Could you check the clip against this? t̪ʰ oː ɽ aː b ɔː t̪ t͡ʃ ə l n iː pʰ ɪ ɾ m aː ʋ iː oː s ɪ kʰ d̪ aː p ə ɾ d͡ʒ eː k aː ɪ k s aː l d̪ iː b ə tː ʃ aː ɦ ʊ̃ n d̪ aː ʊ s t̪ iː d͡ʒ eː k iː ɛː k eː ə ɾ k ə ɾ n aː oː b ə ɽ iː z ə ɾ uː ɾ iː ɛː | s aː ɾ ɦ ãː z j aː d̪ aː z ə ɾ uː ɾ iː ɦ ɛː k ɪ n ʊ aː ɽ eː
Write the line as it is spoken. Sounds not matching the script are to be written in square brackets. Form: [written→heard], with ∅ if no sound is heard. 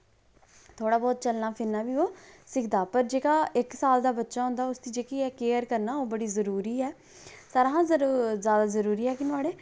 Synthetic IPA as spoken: t̪ʰ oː ɽ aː b ɔː t̪ t͡ʃ ə l n [iː→aː] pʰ ɪ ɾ [m→n] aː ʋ iː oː s ɪ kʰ d̪ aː p ə ɾ d͡ʒ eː k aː ɪ k s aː l d̪ [iː→aː] b ə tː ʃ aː ɦ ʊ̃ n d̪ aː ʊ s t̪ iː d͡ʒ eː k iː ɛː k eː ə ɾ k ə ɾ n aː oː b ə ɽ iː z ə ɾ uː ɾ iː ɛː | s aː ɾ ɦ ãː z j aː d̪ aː z ə ɾ uː ɾ iː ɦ ɛː k ɪ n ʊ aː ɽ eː